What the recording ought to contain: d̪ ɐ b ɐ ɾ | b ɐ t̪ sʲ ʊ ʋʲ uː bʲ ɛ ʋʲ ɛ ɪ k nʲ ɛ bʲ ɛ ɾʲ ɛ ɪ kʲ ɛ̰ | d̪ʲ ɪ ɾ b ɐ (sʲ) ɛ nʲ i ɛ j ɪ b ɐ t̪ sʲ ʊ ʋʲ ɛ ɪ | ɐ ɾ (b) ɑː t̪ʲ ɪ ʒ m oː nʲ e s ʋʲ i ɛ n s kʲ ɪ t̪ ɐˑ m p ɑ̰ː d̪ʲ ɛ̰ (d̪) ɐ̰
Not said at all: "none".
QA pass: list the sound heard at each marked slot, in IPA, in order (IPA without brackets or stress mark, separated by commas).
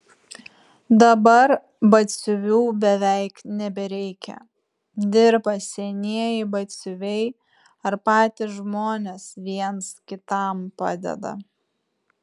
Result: sʲ, p, d̪